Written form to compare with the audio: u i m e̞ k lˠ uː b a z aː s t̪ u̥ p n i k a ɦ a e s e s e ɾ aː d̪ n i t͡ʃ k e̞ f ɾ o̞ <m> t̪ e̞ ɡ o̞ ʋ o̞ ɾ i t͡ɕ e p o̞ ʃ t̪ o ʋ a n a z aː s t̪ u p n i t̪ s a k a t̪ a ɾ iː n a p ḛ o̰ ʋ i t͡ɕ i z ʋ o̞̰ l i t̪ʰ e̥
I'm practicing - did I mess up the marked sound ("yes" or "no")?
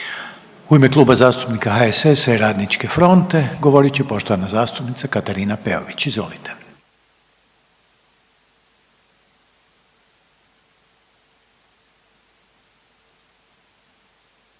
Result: yes